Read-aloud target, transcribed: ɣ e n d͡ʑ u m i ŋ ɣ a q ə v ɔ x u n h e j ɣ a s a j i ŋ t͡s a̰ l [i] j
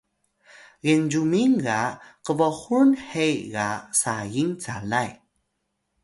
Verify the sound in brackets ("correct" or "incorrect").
incorrect